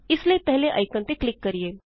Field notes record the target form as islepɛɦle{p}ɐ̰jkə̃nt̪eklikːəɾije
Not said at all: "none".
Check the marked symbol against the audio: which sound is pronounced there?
ʔ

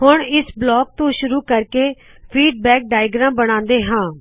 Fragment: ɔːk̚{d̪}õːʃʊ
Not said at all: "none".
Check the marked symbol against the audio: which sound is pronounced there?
t̪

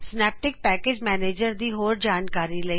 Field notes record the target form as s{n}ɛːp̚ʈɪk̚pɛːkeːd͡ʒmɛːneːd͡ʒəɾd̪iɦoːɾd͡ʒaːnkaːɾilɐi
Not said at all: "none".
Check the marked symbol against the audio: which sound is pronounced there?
n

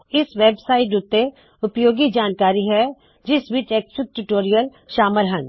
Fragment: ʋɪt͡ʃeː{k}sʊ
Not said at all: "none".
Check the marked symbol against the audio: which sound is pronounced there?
k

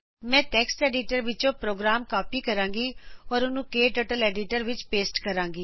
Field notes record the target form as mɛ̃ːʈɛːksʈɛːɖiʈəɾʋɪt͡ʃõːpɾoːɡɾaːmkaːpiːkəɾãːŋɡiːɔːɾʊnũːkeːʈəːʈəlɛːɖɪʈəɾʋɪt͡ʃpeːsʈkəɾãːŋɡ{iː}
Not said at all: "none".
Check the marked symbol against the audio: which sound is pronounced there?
iː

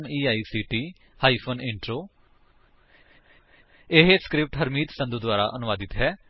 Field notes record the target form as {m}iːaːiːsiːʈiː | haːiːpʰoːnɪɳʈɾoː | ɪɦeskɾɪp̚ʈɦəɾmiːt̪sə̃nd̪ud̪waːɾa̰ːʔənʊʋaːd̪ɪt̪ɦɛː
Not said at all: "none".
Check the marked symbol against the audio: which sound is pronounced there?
m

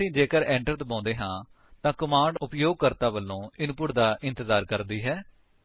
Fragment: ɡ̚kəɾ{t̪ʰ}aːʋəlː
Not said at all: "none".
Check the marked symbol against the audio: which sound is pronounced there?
t̪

